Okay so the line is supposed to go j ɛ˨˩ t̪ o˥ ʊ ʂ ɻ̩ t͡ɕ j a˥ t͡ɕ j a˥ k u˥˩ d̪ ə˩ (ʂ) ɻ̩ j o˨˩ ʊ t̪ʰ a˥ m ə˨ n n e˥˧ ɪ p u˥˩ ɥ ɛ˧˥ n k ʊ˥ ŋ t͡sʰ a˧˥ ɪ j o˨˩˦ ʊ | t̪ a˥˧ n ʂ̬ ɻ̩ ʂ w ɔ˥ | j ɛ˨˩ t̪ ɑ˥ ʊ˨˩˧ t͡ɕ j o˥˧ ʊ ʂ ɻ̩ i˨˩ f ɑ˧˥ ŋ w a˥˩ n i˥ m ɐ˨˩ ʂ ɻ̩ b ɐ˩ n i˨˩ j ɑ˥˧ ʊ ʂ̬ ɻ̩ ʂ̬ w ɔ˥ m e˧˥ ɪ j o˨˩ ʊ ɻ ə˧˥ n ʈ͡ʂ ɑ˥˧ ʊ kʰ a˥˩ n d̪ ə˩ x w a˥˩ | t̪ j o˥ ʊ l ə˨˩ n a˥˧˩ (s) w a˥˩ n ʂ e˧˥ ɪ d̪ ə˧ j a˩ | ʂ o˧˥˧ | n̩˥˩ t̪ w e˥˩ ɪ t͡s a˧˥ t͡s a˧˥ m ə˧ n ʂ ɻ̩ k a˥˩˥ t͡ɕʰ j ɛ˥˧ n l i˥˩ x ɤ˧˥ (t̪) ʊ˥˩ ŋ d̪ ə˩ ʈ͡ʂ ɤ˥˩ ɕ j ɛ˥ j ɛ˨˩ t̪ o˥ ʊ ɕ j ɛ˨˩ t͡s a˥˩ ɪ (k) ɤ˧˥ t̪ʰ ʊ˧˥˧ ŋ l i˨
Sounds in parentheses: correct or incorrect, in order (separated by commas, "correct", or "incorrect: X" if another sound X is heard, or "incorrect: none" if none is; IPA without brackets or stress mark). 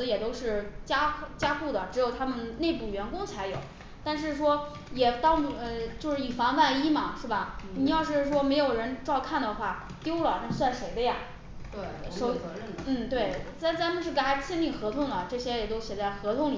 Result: incorrect: ʈ͡ʂ, correct, incorrect: t̪ʰ, incorrect: x